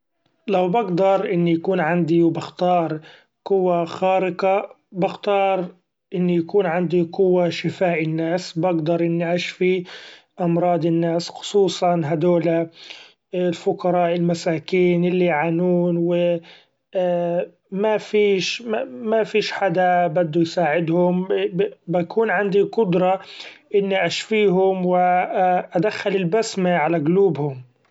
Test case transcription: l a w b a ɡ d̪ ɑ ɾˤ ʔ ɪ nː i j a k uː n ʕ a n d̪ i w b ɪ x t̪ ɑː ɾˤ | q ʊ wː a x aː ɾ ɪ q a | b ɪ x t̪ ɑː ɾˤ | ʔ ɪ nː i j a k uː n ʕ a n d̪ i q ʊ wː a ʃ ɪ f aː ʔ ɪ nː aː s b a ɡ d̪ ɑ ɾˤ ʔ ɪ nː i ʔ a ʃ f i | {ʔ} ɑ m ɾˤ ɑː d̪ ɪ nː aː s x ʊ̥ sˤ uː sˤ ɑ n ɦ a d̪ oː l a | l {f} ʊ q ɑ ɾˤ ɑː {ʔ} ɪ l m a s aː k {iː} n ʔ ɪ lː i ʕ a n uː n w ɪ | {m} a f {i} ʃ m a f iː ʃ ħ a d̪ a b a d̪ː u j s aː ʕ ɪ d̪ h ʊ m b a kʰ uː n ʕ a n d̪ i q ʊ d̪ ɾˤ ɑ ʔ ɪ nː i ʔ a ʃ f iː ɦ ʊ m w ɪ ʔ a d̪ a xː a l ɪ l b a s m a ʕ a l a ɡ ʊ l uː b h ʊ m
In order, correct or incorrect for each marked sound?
correct, correct, correct, correct, correct, incorrect: iː

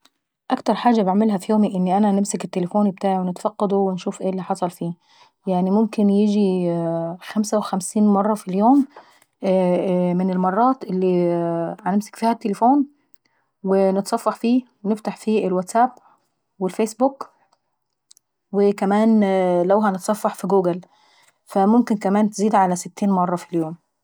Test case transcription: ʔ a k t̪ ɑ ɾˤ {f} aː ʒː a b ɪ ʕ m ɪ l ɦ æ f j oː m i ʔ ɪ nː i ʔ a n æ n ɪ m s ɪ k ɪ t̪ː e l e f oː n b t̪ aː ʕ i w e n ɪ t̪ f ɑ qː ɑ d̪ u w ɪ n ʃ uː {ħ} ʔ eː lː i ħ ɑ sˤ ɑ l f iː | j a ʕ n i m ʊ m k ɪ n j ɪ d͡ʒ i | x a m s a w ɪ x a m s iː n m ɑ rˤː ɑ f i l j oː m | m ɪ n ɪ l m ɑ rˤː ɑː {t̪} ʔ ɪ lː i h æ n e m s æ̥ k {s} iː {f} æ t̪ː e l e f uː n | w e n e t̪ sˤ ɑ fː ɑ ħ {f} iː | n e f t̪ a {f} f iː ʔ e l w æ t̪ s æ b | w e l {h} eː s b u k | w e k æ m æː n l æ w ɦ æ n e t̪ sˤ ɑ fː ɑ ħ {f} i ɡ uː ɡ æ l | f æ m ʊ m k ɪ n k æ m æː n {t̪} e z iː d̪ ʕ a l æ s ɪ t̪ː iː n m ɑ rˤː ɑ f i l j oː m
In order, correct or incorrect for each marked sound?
incorrect: ħ, incorrect: f, correct, incorrect: f, incorrect: h, correct, incorrect: ħ, incorrect: f, correct, correct

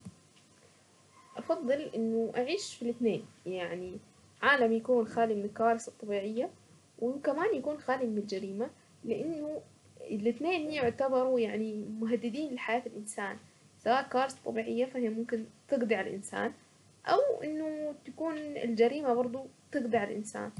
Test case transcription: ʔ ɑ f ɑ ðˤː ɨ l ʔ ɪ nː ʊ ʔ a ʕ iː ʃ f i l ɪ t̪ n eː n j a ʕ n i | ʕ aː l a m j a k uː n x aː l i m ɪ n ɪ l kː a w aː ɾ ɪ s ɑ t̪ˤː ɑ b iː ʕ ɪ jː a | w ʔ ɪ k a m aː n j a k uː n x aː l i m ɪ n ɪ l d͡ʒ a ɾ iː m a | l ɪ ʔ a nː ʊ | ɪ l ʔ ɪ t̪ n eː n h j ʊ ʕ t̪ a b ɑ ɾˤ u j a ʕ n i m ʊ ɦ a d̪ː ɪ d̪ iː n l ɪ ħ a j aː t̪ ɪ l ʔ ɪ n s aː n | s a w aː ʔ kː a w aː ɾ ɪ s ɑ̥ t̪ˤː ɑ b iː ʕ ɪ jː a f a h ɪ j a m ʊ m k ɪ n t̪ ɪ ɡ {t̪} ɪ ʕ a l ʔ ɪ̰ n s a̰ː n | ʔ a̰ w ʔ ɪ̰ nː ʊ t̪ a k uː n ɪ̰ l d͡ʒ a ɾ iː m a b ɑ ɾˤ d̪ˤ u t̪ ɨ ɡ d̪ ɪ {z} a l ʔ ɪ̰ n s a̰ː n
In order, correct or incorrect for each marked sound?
incorrect: d̪, incorrect: ʕ

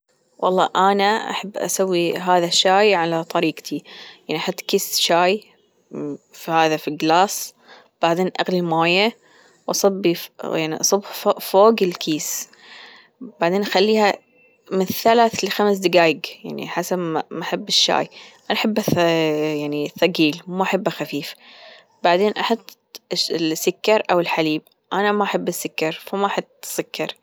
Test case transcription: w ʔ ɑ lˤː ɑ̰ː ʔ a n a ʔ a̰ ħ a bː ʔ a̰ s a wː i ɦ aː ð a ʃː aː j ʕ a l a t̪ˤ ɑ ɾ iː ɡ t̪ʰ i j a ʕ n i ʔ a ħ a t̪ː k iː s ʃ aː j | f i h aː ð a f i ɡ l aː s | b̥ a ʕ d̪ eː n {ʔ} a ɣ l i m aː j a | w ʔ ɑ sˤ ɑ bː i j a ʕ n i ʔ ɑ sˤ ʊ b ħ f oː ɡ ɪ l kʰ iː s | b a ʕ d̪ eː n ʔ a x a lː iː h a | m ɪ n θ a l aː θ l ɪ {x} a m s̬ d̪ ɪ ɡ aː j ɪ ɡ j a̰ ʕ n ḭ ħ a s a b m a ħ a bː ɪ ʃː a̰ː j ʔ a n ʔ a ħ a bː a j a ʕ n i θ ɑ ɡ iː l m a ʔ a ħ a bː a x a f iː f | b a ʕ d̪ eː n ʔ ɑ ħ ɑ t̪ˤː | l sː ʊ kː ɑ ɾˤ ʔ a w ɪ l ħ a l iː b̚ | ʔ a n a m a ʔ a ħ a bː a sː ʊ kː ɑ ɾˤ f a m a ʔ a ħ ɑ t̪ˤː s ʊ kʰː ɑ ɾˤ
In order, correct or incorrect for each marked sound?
correct, correct

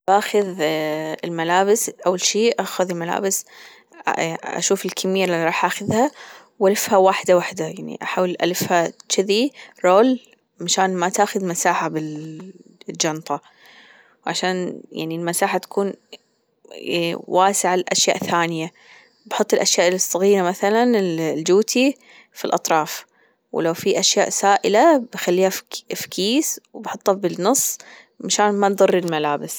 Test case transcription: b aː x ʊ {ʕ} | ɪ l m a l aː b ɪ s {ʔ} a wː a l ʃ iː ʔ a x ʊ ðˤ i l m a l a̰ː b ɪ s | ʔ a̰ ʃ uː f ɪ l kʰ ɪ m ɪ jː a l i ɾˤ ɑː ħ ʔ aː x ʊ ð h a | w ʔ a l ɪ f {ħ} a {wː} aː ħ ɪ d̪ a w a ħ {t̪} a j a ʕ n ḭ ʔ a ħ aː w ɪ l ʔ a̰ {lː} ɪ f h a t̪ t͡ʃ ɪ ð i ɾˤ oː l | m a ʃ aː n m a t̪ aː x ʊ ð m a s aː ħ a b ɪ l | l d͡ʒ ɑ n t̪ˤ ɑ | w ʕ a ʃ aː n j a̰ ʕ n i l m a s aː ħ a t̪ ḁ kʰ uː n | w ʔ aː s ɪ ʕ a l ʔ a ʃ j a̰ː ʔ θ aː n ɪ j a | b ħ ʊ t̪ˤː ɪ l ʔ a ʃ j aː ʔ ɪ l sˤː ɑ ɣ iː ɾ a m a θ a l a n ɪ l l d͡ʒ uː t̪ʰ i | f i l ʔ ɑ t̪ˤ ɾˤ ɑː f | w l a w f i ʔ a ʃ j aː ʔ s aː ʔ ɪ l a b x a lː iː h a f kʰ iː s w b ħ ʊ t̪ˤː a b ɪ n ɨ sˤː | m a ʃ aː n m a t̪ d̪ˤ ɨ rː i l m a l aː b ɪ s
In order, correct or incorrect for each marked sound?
incorrect: ð, correct, incorrect: h, incorrect: w, incorrect: d̪, incorrect: l

